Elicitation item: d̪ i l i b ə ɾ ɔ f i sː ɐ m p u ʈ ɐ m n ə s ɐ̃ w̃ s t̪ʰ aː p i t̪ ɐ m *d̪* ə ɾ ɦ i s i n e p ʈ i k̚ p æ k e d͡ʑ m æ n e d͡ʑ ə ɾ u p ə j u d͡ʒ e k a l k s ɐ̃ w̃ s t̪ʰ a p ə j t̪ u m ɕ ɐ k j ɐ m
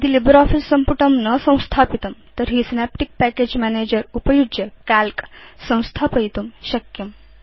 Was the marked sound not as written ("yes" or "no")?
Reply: yes